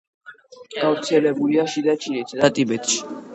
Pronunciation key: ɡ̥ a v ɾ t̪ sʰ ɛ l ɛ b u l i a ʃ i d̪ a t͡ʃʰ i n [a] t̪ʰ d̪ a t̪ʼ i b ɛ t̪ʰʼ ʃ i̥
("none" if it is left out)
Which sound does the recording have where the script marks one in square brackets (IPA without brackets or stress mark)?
i